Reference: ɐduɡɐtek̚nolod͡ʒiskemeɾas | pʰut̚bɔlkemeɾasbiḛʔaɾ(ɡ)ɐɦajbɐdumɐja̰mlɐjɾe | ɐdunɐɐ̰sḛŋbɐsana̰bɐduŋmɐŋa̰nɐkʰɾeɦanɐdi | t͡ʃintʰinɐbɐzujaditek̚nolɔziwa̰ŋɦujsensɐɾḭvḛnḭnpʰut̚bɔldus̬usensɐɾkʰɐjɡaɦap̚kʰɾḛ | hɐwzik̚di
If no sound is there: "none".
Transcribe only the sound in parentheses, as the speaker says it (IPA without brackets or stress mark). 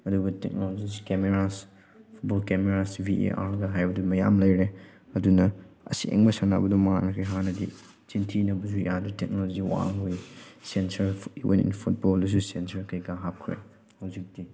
ɡ